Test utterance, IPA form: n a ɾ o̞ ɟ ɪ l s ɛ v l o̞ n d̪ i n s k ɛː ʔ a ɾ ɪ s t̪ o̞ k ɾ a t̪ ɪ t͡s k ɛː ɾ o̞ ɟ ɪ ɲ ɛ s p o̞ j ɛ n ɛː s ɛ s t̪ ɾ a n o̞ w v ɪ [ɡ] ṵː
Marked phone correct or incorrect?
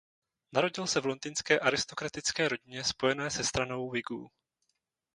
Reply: correct